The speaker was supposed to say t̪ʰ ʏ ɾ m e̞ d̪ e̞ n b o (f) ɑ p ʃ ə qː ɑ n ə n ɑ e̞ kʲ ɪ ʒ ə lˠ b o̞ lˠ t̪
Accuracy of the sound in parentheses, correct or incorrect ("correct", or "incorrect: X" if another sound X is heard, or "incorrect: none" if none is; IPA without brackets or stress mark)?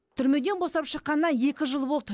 incorrect: s